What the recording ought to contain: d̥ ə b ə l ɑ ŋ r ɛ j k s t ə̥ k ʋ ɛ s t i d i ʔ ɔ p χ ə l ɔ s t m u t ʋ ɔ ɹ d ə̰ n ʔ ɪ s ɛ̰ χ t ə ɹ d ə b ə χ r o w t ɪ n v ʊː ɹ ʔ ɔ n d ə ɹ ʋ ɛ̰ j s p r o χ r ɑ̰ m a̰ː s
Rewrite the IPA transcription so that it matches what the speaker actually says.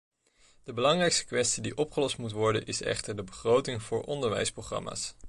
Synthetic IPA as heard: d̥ ə b ə l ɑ ŋ r ɛ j k s t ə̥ k ʋ ɛ s t i d i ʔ ɔ p χ ə l ɔ s t m u t ʋ ɔ ɹ d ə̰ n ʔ ɪ s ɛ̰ χ t ə ɹ d ə b ə χ r o w t ɪ ŋ v ʊː ɹ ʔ ɔ n d ə ɹ ʋ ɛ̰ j s p r o χ r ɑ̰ m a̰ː s